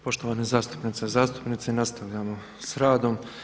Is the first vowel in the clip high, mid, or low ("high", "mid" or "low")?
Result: mid